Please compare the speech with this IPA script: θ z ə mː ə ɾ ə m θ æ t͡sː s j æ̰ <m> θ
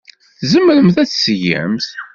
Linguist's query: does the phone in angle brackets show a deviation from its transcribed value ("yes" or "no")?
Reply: no